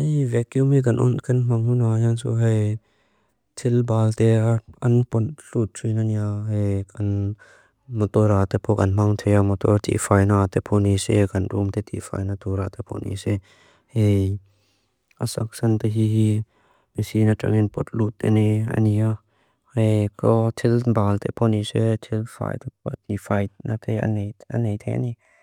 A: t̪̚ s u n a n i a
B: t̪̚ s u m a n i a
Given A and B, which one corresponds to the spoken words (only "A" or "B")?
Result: A